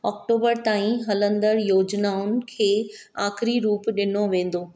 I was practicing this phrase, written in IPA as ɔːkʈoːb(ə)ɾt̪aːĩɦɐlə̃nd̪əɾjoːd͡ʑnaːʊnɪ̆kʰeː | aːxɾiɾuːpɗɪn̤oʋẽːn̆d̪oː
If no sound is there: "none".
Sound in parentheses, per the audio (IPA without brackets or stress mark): ə